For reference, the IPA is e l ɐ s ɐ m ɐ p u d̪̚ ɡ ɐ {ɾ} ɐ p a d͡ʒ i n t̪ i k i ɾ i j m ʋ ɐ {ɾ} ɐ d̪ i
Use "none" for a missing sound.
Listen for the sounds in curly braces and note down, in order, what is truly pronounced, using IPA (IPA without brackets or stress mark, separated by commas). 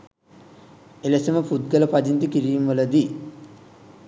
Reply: l, l